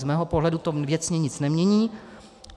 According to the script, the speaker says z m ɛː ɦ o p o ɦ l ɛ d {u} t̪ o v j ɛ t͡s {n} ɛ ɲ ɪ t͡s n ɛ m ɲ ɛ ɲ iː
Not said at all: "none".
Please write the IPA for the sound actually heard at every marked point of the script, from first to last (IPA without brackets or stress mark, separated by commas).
u, ɲ